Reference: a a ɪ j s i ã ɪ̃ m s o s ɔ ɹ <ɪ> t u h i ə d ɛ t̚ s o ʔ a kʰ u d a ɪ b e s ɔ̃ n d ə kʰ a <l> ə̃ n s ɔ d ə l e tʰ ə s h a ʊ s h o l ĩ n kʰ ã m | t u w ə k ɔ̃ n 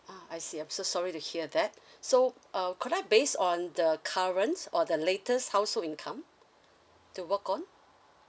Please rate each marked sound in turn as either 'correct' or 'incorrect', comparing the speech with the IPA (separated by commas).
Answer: incorrect, incorrect